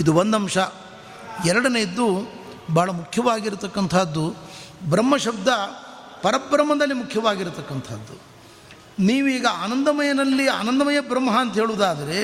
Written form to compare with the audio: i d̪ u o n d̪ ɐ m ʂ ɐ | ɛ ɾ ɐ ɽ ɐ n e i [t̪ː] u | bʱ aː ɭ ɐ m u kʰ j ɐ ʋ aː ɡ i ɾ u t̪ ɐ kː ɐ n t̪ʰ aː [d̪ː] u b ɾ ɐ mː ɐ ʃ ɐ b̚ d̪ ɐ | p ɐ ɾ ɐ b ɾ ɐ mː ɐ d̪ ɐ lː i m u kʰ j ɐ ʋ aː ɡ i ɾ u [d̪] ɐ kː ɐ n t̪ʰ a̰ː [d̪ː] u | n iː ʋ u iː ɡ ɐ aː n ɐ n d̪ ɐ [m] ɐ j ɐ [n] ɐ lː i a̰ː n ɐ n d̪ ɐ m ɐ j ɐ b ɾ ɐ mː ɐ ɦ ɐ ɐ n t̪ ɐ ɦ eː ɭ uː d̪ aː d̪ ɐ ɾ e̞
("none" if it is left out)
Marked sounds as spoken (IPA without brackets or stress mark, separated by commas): d̪ː, d̪ː, t̪, d̪ː, m, n